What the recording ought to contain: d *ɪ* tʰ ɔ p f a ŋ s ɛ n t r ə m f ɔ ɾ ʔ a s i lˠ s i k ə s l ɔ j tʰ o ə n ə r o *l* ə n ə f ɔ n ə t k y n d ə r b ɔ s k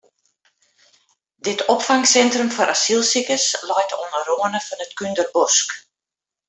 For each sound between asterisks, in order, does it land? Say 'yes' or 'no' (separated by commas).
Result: yes, no